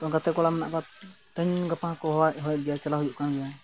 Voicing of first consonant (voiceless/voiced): voiceless